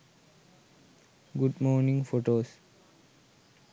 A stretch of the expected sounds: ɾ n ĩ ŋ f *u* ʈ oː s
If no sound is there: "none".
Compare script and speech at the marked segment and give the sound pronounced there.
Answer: o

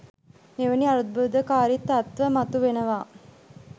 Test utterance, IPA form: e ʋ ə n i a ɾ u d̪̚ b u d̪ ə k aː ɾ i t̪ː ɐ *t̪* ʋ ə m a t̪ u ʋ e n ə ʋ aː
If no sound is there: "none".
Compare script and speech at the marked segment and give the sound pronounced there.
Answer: t̪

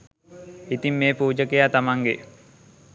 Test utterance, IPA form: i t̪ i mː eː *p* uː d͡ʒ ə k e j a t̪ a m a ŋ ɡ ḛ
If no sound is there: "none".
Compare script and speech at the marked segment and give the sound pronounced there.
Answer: p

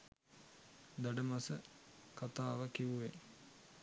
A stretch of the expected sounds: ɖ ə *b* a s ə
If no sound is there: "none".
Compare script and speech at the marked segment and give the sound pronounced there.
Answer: m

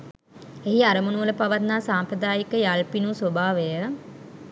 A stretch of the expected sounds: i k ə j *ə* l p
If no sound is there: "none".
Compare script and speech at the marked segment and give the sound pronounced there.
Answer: a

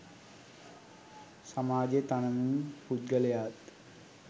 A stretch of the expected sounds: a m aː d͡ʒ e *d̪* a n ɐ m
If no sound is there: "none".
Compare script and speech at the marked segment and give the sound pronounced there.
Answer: t̪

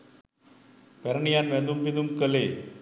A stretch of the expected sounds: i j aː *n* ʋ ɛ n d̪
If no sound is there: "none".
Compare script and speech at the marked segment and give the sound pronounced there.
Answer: n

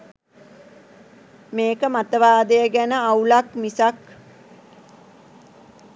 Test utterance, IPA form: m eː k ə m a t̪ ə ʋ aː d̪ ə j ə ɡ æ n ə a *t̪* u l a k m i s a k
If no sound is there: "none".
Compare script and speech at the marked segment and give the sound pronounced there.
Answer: none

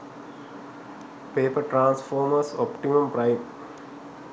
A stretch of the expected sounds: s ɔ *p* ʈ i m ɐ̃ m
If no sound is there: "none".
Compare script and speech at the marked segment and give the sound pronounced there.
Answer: p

